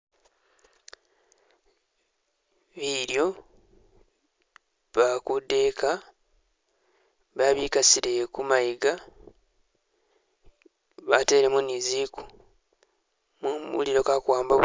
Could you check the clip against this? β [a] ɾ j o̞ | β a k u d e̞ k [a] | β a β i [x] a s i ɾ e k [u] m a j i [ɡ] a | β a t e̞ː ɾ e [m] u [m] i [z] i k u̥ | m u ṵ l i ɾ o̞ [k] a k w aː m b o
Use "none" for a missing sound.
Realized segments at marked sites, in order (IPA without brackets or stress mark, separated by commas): i, a, k, u, ɡ, m, n, z, k